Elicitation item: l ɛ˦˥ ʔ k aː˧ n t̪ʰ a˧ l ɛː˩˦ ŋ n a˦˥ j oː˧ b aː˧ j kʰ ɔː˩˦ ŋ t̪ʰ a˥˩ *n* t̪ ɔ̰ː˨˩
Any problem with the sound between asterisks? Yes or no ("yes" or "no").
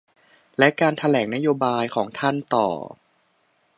no